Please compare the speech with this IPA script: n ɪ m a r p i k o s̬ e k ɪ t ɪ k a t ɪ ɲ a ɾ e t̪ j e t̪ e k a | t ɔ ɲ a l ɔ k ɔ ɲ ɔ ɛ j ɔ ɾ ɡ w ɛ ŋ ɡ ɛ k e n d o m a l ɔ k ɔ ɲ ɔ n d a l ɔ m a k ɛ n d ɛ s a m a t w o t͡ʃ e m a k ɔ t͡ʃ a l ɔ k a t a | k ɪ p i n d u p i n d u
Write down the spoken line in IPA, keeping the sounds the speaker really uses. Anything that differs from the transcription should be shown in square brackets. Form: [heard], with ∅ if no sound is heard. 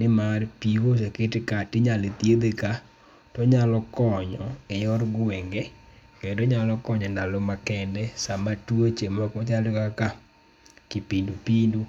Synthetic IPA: n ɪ m a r p i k o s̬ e k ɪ t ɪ k a t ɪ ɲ a [l] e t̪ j e [d̪] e k a | t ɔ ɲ a l ɔ k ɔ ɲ ɔ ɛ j ɔ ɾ ɡ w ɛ ŋ ɡ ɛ k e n d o [ɲ] a l ɔ k ɔ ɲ ɔ n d a l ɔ m a k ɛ n d ɛ s a m a t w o t͡ʃ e m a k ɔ t͡ʃ a l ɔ k a [k] a | k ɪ p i n d u p i n d u